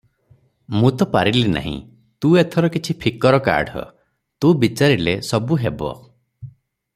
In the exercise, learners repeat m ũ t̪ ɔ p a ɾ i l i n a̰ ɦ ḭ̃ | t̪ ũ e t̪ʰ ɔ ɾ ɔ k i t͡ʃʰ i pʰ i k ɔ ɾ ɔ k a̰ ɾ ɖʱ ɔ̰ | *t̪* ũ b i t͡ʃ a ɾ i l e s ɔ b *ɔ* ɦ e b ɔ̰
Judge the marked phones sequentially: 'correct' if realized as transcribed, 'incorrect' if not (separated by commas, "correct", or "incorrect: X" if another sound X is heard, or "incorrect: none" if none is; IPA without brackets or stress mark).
correct, incorrect: u